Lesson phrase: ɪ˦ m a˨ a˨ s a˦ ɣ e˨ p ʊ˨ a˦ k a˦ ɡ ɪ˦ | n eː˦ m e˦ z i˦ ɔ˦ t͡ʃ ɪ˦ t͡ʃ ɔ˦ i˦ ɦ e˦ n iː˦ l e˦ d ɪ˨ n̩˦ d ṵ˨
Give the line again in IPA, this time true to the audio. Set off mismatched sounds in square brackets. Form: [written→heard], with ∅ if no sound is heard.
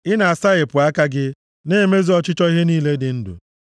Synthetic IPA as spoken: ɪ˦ [m→n] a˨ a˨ s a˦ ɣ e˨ p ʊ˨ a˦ k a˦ ɡ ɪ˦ | n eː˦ m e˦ z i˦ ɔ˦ t͡ʃ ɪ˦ t͡ʃ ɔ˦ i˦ ɦ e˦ n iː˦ l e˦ d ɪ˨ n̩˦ d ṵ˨